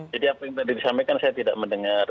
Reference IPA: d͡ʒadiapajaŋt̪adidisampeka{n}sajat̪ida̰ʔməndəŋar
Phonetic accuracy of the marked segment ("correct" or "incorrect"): correct